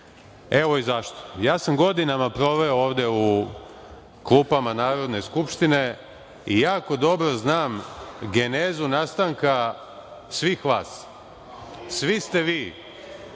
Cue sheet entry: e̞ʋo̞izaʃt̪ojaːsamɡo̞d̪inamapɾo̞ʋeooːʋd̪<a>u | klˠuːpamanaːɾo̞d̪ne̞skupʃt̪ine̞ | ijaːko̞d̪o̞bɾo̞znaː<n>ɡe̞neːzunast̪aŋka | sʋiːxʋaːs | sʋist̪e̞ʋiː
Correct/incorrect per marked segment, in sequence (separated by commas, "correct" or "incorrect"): incorrect, incorrect